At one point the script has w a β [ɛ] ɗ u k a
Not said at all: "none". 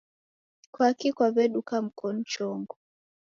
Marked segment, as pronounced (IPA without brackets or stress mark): ɛ